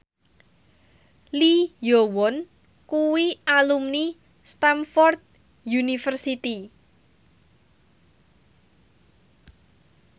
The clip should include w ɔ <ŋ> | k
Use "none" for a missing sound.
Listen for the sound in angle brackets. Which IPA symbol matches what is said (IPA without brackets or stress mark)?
n